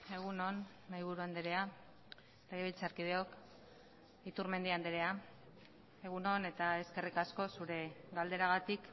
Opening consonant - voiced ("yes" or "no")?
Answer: yes